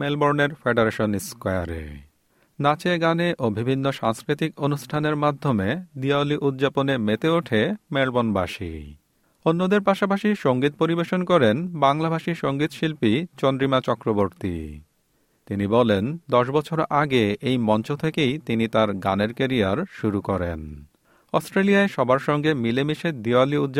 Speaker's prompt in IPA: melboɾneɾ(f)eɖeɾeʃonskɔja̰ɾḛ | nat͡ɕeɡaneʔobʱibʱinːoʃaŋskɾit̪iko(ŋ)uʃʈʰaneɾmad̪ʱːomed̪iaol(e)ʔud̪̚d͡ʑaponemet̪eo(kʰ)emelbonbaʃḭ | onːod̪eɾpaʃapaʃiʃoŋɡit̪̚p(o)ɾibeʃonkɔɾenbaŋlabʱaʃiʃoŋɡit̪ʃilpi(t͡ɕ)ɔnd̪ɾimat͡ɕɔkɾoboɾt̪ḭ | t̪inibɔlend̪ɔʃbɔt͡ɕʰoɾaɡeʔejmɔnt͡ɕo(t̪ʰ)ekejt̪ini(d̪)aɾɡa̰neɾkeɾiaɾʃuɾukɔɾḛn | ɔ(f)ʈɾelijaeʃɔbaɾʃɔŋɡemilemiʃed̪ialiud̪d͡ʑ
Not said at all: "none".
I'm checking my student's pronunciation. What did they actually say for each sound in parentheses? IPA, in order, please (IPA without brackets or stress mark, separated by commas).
f, n, i, ʈʰ, o, t͡ɕ, t̪ʰ, t̪, s